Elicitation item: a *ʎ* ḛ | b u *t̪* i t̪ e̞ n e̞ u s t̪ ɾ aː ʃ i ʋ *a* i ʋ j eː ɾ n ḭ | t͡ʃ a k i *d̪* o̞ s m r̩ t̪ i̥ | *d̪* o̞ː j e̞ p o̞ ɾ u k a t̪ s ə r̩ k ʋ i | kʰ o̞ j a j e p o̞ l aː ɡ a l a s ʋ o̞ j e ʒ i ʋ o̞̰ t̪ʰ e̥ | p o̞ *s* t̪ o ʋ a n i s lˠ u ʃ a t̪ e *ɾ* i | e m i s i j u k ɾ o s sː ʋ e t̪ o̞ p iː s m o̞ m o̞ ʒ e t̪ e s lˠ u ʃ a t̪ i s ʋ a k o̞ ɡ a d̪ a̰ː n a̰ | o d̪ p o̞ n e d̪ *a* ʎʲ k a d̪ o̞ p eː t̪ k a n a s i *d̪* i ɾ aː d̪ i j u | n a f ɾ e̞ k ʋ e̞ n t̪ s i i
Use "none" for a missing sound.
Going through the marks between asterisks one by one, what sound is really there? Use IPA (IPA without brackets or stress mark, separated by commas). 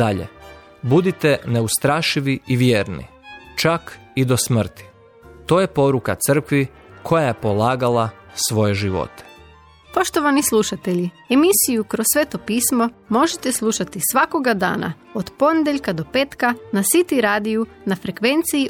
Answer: ʎ, d̪, i, d̪, t̪, ʃ, ʎ, e, t̪